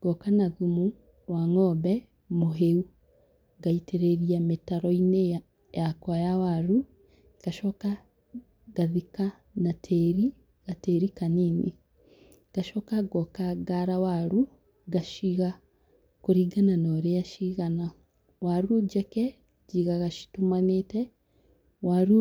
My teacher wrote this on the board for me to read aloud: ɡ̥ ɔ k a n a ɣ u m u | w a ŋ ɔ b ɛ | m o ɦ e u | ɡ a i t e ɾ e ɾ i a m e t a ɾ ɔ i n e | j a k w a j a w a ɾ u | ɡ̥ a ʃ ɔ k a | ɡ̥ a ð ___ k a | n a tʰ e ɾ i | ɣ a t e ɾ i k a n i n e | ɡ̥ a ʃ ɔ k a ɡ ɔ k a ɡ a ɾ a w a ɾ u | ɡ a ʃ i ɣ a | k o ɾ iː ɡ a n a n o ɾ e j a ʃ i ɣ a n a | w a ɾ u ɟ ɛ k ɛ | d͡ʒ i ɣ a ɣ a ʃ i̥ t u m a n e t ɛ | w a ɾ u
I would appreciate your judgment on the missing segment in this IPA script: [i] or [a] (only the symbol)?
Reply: i